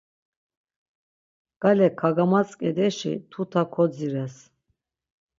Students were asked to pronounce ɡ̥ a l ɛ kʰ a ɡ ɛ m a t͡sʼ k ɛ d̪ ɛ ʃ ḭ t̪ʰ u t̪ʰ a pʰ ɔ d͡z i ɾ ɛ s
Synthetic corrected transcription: ɡ̥ a l ɛ kʰ a ɡ a m a t͡sʼ kʼ ɛ d̪ ɛ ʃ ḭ t̪ʰ u t̪ʰ a kʰ ɔ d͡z i ɾ ɛ s